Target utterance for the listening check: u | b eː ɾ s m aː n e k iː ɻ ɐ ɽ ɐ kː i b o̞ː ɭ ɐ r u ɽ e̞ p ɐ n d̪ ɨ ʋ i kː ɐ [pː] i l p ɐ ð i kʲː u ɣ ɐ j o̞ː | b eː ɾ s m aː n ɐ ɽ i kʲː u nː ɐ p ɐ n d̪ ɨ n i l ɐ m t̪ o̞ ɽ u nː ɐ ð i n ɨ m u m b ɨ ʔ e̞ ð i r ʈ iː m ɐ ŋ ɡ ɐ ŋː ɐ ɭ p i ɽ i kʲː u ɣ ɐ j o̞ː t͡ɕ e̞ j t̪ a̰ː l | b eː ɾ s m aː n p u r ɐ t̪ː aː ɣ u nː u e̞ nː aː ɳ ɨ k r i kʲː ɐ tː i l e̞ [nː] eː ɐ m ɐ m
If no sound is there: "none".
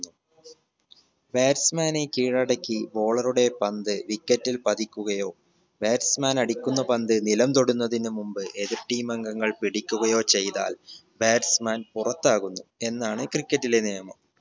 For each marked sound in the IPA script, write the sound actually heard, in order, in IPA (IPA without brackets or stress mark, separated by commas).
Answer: tː, n